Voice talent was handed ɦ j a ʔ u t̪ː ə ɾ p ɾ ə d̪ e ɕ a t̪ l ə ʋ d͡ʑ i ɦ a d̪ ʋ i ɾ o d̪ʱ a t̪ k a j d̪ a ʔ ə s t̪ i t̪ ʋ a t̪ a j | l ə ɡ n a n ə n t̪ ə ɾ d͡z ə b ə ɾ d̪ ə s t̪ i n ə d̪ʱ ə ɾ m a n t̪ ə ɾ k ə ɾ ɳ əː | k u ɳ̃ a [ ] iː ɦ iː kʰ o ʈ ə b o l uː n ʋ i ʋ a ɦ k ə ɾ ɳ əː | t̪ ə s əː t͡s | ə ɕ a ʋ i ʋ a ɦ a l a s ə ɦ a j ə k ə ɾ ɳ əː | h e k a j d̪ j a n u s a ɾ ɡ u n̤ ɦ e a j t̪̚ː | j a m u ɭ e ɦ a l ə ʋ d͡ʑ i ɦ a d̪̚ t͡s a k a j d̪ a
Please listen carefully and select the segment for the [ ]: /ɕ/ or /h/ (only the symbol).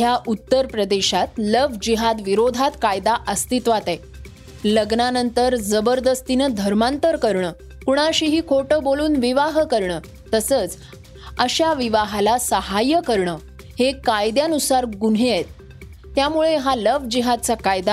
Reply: ɕ